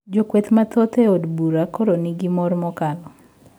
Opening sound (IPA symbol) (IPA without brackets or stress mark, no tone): d͡ʒ